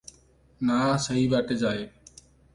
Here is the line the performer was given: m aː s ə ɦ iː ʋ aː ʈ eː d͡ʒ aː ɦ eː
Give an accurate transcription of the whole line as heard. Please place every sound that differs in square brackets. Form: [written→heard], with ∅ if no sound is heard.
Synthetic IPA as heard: [m→n] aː s ə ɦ iː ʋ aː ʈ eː d͡ʒ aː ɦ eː